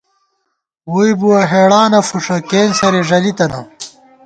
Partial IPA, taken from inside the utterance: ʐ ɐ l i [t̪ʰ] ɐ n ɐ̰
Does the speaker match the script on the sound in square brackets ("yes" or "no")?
no